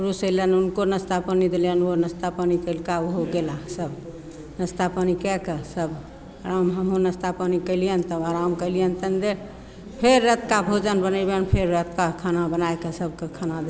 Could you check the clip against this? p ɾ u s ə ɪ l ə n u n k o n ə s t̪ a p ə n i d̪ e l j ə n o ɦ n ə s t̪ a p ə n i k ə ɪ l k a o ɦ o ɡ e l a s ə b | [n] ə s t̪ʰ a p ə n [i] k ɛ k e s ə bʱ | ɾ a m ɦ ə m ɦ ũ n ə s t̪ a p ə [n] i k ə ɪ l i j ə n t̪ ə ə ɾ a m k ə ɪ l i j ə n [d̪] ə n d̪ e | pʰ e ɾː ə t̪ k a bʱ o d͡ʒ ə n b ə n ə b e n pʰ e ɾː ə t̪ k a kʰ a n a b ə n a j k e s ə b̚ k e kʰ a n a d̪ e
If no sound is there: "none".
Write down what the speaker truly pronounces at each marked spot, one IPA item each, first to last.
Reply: n, i, n, t̪

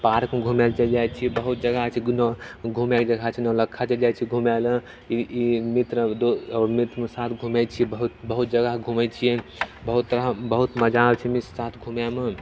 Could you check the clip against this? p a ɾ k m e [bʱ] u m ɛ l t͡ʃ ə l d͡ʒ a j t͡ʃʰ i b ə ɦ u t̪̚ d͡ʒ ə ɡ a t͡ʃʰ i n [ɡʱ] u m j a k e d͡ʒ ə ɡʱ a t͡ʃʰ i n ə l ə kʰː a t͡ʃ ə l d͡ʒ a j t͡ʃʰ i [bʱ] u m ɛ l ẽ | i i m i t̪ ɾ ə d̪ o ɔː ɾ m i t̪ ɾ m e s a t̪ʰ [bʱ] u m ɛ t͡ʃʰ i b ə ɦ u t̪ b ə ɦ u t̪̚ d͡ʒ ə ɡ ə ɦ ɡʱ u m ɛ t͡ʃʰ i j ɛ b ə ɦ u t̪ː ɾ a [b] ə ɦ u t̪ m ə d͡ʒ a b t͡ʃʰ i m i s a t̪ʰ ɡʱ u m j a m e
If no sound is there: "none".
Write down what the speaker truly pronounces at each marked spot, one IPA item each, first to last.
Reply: ɡʱ, ɡʱ, ɡʱ, ɡʱ, b

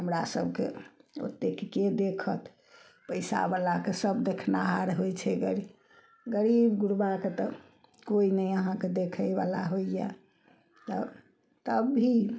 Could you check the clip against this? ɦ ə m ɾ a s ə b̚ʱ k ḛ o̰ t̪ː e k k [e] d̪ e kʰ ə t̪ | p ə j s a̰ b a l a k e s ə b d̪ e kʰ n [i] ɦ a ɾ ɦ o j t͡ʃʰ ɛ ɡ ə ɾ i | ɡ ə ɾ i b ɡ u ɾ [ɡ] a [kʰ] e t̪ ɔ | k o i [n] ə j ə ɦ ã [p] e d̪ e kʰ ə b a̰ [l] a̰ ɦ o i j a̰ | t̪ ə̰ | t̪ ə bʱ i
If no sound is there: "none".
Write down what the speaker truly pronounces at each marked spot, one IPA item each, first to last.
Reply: e, a, b, k, n, k, l

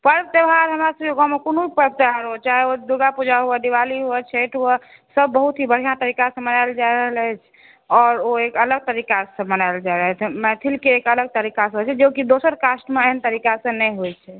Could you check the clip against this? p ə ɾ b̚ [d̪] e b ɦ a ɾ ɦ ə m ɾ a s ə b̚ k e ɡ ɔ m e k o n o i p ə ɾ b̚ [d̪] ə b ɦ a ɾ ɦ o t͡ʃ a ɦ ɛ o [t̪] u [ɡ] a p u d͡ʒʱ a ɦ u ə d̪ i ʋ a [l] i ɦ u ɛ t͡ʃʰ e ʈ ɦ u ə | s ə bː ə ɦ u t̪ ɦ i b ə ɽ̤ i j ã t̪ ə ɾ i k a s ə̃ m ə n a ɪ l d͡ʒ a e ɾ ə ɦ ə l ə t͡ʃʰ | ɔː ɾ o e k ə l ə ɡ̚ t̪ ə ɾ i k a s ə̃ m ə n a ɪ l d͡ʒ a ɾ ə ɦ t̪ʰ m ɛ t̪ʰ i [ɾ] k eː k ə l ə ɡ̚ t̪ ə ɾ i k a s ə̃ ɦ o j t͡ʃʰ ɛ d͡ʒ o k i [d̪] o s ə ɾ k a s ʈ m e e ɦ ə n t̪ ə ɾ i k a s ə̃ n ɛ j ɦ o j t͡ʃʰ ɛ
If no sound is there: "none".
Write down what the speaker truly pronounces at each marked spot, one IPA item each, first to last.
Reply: t̪, t̪, d̪, ɡ, l, l, d̪

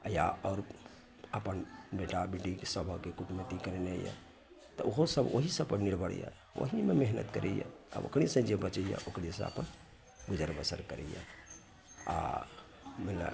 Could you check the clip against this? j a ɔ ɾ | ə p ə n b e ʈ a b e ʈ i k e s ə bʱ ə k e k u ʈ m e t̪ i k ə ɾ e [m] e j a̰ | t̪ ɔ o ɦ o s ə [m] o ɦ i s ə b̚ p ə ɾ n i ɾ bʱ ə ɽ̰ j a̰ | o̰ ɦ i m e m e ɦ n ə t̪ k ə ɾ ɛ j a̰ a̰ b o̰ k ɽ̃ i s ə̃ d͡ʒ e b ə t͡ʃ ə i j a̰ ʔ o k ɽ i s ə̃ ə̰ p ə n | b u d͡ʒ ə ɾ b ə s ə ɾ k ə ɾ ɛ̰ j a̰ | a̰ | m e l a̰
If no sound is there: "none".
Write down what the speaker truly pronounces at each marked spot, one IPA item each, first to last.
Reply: n, b

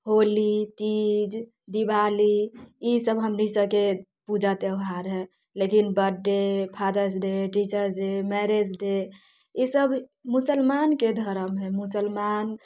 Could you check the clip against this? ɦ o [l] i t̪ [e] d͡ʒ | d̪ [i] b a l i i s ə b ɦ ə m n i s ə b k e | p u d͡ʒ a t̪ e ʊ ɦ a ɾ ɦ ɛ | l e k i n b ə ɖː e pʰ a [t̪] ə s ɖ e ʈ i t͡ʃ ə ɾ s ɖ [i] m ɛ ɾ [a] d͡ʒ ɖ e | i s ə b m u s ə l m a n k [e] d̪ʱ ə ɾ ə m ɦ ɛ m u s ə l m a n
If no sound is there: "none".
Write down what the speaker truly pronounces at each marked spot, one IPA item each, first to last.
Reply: l, i, i, d̪, e, e, e

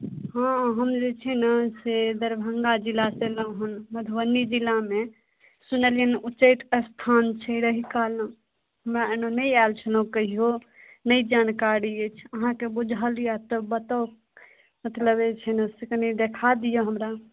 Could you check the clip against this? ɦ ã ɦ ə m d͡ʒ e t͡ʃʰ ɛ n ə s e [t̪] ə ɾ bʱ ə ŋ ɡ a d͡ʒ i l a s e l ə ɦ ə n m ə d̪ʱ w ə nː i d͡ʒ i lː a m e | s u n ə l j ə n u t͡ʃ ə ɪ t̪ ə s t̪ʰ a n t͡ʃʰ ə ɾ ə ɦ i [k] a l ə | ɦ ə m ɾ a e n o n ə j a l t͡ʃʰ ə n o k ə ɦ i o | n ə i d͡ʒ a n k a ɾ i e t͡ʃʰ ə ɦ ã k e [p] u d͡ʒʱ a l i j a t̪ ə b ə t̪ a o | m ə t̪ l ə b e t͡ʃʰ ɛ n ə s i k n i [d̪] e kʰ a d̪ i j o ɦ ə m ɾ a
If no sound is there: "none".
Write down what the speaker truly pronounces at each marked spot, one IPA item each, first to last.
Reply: d̪, k, b, d̪

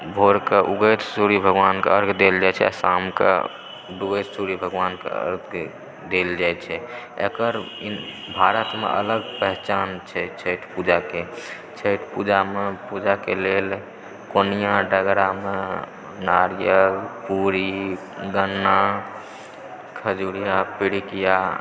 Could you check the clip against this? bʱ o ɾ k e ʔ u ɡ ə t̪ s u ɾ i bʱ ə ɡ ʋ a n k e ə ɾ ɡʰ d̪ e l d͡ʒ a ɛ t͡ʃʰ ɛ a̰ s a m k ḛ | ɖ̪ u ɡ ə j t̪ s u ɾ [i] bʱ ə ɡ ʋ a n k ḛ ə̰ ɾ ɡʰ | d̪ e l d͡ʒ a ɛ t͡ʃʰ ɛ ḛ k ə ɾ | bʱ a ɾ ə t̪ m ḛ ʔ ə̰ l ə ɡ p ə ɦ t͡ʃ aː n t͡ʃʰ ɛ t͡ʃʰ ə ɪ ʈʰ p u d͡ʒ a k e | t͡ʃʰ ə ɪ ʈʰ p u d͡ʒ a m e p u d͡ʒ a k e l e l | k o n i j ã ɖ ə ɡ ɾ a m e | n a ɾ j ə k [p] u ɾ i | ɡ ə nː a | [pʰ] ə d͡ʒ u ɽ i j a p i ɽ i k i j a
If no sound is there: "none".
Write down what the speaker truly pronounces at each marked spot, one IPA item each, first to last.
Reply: i, p, kʰ

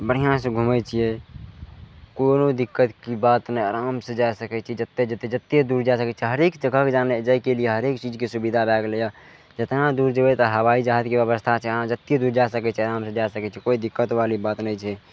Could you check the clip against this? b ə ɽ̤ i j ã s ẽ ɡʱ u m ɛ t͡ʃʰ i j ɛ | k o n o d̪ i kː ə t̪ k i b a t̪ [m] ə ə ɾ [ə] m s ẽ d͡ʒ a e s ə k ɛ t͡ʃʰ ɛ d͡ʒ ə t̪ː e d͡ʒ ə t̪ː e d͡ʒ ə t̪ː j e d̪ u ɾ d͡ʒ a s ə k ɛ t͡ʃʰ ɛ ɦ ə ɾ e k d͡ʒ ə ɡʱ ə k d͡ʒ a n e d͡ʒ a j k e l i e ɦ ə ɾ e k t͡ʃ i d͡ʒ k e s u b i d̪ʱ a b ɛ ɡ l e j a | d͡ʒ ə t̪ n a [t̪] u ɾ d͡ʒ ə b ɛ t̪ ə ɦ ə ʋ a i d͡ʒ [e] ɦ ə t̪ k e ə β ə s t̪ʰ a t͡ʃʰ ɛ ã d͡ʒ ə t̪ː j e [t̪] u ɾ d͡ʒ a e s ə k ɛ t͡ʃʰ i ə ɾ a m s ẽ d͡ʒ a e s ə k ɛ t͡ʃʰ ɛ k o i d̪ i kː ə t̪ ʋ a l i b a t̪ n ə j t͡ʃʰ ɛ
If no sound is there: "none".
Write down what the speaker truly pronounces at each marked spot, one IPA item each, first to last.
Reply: n, a, d̪, a, d̪

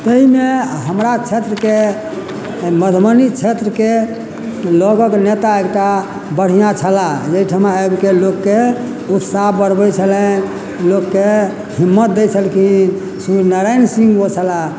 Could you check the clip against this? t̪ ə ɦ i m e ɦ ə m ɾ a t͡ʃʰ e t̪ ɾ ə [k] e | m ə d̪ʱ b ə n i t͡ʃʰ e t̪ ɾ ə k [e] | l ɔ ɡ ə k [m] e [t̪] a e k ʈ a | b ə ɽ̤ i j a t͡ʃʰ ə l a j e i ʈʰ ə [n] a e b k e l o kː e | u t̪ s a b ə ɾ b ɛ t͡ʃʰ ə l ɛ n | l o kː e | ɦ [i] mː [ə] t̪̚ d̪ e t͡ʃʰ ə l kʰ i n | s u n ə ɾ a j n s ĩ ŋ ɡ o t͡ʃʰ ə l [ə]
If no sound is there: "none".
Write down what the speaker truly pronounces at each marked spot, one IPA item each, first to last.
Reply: k, e, n, t̪, m, i, ə, a

